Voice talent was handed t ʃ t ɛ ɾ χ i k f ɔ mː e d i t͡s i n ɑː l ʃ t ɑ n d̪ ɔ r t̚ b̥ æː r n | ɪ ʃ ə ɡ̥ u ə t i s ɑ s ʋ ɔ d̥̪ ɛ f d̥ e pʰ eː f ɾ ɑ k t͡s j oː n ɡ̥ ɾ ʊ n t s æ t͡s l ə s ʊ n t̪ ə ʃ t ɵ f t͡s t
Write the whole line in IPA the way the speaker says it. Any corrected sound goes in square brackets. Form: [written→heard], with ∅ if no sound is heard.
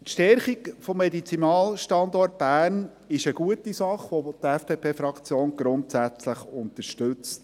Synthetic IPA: t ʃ t ɛ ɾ χ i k f ɔ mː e d i t͡s i n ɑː l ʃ t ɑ n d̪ ɔ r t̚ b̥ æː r n | ɪ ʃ ə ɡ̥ u ə t i s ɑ [s→χ] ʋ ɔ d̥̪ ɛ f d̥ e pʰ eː f ɾ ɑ k t͡s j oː n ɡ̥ ɾ ʊ n t s æ t͡s l ə [s→χ] ʊ n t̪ ə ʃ t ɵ [f→∅] t͡s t

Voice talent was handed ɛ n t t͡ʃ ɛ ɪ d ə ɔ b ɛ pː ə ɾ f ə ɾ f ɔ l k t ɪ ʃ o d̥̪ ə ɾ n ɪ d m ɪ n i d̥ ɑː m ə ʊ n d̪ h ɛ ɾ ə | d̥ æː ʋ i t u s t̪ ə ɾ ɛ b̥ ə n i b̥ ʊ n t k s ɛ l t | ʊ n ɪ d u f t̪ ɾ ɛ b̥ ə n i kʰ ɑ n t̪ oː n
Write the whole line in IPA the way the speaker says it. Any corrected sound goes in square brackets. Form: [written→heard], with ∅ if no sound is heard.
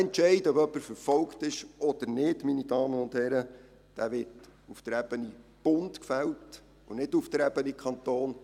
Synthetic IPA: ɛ n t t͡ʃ ɛ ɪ d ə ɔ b [ɛ→œ] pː ə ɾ f ə ɾ f ɔ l k t ɪ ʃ [o→ɔ] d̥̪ ə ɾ n ɪ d m [ɪ→i] n i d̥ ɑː m ə ʊ n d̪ h ɛ ɾ ə | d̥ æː ʋ [i→ɪ] t u [s→f] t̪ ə ɾ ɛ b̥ ə n i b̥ ʊ n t k [s→f] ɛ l t | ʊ n ɪ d u f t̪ ɾ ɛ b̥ ə n i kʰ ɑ n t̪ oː n

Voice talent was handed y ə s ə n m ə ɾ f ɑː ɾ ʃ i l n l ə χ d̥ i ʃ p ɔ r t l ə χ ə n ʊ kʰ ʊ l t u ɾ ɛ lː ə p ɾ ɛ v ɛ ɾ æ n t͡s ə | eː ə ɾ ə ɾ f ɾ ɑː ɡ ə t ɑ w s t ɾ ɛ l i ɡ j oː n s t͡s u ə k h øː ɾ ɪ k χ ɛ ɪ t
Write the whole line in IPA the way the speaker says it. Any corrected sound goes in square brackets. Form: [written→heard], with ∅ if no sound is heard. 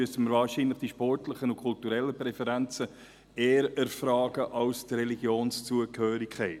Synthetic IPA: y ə s ə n m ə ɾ [f→v] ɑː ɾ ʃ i [l→∅] n l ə χ d̥ i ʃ p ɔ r t l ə χ ə n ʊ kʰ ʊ l t u ɾ ɛ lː ə p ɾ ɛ [v→f] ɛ ɾ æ n t͡s ə | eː ə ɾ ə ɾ f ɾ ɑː ɡ ə [t→ʔ] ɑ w s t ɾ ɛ l i ɡ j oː n s t͡s u ə k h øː ɾ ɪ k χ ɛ ɪ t

